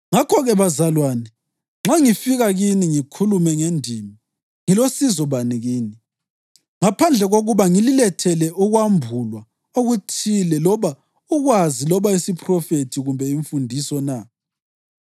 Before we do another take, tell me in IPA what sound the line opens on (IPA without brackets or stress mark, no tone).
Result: ŋ